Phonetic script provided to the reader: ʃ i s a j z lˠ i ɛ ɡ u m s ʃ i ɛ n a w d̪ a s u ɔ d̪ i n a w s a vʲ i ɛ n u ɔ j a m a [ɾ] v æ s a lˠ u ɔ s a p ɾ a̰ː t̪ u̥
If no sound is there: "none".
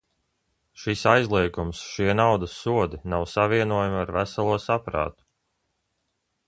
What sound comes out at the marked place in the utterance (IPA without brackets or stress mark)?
ɾ